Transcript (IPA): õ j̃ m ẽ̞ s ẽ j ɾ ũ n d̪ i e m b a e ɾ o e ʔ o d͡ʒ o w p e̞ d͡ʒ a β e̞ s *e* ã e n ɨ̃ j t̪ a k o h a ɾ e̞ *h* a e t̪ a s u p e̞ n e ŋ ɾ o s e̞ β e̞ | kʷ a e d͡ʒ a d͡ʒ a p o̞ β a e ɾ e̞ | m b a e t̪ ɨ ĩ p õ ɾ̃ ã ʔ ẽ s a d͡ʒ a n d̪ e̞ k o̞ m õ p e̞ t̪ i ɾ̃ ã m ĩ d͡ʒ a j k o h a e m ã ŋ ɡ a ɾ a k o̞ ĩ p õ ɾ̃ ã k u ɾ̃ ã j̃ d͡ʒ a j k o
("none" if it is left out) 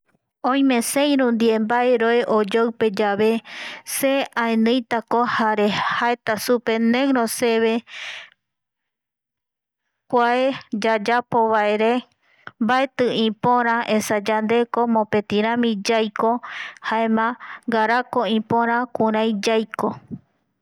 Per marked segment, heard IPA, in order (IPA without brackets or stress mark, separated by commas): e, h